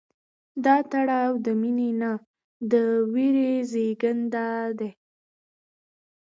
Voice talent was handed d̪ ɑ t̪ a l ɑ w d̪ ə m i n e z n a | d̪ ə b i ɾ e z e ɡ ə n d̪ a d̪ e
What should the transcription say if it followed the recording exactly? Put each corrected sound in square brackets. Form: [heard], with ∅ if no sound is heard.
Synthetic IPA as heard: d̪ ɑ t̪ a [ɽ] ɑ w d̪ ə m i n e [∅] n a | d̪ ə [w] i ɾ e z e ɡ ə n d̪ a d̪ e